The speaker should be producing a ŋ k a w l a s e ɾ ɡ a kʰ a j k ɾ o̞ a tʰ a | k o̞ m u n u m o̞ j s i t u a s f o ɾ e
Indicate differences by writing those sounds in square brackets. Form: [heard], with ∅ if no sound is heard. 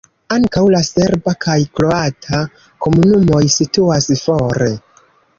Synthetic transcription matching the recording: a ŋ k a w l a s e ɾ [b] a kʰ a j k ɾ o̞ a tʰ a | k o̞ m u n u m o̞ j s i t u a s f o ɾ e